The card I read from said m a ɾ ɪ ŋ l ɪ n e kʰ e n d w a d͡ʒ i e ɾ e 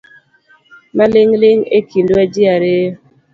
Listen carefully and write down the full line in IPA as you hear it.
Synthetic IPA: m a l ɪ ŋ l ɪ ŋ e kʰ i n d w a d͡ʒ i a ɾ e